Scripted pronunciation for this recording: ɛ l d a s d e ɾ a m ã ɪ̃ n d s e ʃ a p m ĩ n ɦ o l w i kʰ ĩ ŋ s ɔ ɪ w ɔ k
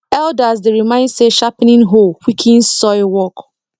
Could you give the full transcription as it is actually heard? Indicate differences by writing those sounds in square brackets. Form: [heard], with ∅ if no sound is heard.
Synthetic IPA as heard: ɛ l d a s d e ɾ [i] m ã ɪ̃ n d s e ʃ a p [n] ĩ n ɦ o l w i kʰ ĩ [n] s ɔ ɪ w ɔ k